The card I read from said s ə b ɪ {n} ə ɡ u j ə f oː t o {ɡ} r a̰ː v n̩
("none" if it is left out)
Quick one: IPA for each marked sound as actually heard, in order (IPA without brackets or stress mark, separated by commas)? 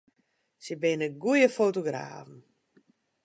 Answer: n, ɡ